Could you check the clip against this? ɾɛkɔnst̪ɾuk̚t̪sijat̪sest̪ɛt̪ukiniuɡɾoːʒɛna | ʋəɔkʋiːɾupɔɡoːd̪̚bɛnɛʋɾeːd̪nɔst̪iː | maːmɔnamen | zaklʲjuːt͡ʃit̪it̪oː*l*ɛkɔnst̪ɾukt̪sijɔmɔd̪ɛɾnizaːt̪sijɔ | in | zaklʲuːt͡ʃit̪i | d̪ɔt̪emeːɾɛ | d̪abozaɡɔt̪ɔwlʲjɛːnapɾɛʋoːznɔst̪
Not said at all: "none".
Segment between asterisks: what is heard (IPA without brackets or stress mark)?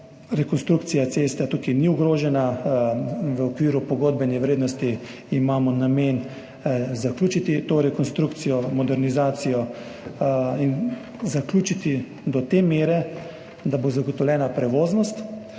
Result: ɾ